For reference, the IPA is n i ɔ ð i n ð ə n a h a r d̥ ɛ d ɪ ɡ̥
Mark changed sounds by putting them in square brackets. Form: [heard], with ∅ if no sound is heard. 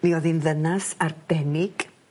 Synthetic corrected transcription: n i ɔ ð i n ð ə n a [s] a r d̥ ɛ [n] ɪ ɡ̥

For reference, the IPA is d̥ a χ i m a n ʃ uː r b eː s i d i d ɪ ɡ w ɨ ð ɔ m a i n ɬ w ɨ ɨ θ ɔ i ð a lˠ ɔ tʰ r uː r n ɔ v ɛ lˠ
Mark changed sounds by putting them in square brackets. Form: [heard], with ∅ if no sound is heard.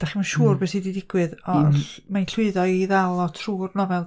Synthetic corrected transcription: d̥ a χ i m a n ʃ uː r b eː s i d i d ɪ ɡ w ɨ ð ɔ m a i n ɬ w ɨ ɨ [ð] ɔ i ð a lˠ ɔ tʰ r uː r n ɔ v ɛ lˠ

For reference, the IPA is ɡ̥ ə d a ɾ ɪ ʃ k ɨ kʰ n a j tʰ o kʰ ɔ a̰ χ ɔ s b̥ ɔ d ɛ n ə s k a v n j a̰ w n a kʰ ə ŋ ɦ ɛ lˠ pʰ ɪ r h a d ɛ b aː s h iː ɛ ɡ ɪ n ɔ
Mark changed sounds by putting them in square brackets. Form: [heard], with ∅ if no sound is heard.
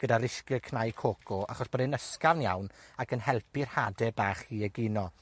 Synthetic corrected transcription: ɡ̥ ə d a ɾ ɪ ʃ k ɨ kʰ n a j [kʰ] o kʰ ɔ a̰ χ ɔ s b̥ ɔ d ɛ n ə s k a v n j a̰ w n a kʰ ə [n] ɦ ɛ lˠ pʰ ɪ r h a d ɛ b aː [χ] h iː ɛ ɡ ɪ n ɔ

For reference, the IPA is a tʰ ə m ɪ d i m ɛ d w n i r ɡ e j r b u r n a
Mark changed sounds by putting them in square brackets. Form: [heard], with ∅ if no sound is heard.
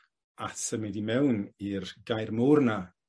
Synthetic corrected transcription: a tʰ ə m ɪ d i m ɛ [∅] w n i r ɡ [a] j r [m] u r n a

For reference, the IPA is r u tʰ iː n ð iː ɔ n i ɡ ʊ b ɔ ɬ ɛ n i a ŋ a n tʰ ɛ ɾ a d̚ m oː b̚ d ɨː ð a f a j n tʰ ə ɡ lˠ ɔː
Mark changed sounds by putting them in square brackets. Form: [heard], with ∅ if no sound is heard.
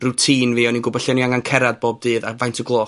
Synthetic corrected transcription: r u tʰ iː n [v] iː ɔ n i ɡ ʊ b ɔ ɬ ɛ n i a ŋ a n [kʰ] ɛ ɾ a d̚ [b] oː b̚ d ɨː ð a [v] a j n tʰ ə ɡ lˠ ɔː

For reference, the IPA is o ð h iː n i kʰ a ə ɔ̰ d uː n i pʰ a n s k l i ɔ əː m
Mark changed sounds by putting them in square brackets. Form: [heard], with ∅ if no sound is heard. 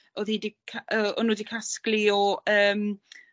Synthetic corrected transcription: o ð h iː [d] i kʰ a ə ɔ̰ [n] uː [d] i [kʰ] a [∅] s k l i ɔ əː m

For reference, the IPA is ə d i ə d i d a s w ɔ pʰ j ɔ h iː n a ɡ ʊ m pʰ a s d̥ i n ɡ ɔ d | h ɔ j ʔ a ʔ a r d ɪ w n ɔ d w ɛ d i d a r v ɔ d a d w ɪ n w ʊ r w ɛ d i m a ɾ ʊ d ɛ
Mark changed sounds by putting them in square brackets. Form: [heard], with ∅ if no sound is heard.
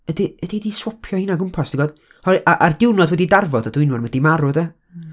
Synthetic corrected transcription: ə d i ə d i d [i] s w ɔ pʰ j ɔ h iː n a ɡ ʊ m pʰ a s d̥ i [∅] ɡ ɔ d | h ɔ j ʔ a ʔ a r d ɪ w n ɔ d w ɛ d i d a r v ɔ d a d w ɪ n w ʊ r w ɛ d i m a ɾ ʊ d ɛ

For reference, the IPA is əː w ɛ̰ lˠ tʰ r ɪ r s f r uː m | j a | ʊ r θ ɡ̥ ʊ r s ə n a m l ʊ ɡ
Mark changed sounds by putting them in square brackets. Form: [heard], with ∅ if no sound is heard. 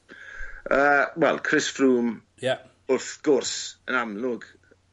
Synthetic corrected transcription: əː w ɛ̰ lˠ [kʰ] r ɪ [∅] s f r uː m | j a | ʊ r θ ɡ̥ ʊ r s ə n a m l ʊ ɡ

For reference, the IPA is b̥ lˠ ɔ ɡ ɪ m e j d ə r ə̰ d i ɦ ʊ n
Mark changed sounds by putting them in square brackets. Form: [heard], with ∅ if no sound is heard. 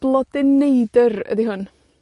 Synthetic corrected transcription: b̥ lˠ ɔ [d] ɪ [n] e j d ə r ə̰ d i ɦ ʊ n

